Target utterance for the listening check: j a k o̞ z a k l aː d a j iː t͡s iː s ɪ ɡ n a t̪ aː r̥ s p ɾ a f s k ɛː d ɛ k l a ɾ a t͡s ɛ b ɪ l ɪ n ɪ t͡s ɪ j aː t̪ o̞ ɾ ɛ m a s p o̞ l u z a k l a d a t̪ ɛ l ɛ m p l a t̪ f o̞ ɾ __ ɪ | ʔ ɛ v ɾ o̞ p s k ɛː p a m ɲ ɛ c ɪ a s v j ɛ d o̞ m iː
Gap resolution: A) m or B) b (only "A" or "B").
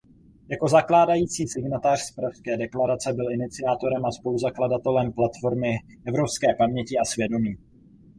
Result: A